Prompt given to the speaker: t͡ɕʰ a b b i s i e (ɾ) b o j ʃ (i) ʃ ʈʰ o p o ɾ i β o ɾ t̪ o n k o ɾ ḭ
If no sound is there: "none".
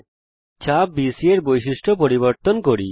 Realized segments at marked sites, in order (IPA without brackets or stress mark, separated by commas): ɾ, i